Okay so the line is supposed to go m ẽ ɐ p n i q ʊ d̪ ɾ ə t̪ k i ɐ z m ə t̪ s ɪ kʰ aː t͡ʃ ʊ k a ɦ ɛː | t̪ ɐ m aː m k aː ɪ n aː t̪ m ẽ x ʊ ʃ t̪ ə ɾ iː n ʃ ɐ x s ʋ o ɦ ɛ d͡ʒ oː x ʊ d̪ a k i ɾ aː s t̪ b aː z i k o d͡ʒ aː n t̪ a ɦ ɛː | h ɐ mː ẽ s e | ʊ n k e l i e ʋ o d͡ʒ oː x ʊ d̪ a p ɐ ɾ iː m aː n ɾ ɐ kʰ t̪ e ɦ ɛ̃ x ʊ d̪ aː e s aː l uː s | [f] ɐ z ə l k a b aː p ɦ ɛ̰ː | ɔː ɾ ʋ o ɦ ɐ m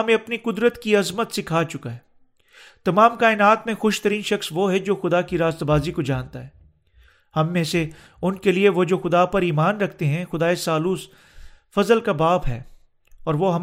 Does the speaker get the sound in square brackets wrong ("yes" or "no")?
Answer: no